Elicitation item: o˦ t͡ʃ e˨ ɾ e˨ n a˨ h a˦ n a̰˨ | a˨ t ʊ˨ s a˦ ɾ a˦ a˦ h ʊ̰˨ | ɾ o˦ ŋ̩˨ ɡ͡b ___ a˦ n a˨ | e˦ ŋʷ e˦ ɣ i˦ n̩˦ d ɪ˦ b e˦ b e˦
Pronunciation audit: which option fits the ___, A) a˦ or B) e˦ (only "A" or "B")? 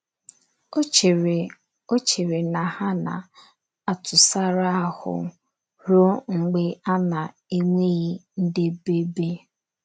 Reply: B